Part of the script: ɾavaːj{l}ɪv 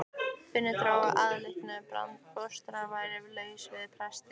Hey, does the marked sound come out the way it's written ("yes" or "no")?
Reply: no